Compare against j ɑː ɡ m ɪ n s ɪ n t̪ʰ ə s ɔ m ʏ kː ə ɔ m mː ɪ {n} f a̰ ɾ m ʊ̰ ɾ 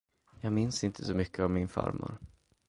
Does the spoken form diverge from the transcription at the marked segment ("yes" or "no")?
no